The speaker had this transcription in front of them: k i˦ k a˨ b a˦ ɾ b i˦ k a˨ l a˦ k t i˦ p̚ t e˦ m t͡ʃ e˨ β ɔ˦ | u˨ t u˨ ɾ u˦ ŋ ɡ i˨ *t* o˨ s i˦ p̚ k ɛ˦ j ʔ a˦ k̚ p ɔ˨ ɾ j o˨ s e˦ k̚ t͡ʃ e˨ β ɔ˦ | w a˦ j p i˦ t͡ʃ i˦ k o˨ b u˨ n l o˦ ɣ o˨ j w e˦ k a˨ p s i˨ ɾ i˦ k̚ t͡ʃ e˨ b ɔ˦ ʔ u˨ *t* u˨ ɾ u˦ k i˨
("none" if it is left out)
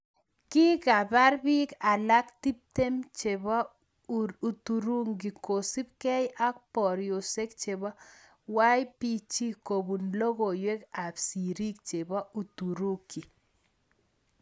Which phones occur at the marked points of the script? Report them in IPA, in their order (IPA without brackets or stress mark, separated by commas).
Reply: k, t